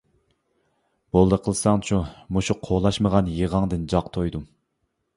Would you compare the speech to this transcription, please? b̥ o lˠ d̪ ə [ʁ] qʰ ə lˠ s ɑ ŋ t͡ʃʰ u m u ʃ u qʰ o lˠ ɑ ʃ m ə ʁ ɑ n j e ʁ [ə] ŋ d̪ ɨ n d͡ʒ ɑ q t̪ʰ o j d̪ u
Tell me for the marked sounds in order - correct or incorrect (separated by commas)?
incorrect, incorrect